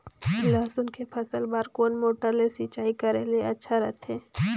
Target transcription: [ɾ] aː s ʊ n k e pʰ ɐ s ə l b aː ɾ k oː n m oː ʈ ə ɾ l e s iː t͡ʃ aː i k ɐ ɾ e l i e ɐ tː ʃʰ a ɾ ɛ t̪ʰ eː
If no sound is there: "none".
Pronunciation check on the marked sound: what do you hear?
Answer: l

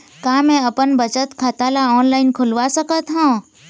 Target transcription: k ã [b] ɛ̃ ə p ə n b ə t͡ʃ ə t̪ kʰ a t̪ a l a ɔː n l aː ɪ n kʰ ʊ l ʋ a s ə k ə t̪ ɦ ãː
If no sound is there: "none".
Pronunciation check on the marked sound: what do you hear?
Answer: m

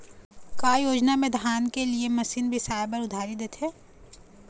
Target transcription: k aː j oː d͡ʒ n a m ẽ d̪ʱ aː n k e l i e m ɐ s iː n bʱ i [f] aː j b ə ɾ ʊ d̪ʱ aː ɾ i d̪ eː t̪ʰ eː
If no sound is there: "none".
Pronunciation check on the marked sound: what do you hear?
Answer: s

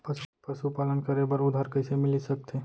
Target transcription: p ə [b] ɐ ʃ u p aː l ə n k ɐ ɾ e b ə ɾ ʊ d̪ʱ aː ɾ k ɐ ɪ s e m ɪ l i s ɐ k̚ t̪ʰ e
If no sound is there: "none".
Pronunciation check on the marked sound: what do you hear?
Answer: p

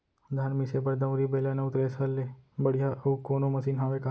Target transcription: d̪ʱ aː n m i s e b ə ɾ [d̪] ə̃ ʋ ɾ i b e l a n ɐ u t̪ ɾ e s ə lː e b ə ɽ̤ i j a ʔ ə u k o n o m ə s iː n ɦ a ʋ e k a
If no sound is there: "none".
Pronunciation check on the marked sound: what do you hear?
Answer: d̪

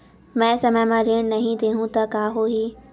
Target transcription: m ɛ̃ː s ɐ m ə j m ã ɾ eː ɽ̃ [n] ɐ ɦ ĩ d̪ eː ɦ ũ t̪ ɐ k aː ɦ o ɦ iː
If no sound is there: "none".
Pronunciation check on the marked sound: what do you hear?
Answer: n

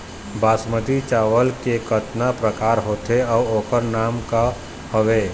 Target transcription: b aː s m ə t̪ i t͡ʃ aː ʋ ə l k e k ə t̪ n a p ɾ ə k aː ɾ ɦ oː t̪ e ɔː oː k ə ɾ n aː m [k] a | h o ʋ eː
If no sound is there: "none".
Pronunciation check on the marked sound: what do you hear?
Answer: k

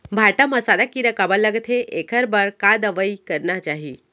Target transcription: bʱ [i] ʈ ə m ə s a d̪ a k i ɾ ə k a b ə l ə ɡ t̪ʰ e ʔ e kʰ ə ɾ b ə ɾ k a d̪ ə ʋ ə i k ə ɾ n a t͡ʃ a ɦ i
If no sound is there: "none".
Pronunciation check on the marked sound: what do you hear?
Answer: a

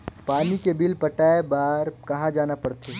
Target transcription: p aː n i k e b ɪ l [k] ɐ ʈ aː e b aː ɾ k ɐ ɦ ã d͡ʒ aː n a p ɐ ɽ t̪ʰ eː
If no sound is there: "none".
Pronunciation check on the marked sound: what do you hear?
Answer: p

